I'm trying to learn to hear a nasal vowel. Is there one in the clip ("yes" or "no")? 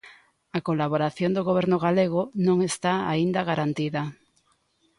yes